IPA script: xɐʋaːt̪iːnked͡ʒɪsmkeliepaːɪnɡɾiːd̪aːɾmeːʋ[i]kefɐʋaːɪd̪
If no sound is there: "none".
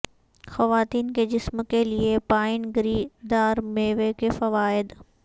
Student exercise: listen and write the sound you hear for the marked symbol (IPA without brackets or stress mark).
e